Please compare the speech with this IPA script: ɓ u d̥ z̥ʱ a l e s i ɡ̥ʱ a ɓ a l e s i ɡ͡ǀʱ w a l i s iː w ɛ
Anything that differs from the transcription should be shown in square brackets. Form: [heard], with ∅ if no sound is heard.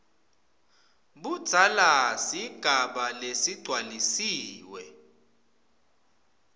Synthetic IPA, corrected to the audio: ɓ u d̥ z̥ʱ a l [a] s i ɡ̥ʱ a ɓ a l e s i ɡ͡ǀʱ w a l i s iː w ɛ